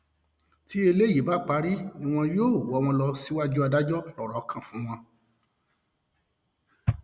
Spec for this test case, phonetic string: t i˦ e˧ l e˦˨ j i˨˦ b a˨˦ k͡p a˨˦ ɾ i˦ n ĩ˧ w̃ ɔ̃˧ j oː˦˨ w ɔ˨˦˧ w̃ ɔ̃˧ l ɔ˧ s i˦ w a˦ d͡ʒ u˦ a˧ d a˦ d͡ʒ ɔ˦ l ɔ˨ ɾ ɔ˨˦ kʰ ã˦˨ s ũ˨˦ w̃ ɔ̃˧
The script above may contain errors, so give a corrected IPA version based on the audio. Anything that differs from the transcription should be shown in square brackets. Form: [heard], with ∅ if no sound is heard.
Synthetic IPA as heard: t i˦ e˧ l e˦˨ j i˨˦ b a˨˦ k͡p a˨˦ ɾ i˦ n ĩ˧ w̃ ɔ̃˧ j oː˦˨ w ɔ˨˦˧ w̃ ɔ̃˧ l ɔ˧ s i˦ w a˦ d͡ʒ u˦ a˧ d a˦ d͡ʒ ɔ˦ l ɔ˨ ɾ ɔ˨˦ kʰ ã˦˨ [f] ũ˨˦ w̃ ɔ̃˧